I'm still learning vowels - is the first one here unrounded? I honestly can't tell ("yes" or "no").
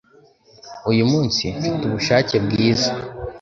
no